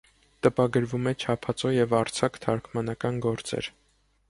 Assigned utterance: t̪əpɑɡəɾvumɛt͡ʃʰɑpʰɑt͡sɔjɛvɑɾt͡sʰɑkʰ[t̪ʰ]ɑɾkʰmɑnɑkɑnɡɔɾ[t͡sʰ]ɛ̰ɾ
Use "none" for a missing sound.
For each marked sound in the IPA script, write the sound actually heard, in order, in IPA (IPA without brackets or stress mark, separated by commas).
t̪ʰ, t͡s